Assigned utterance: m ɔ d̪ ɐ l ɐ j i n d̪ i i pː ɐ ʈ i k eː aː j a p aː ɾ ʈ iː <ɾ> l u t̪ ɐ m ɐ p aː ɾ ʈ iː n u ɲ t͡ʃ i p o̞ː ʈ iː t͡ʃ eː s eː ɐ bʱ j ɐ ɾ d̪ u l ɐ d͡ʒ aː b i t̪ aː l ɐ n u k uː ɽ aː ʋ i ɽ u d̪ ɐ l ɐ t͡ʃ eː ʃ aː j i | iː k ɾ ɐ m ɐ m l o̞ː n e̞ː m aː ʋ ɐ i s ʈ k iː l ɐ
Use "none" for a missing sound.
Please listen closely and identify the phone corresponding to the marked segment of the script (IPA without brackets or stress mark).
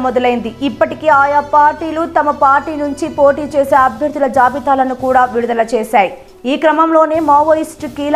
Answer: none